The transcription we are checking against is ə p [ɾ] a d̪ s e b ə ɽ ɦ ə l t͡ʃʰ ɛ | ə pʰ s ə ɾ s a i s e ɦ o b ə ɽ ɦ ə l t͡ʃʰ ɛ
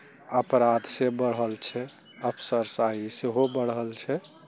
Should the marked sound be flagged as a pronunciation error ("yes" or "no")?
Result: no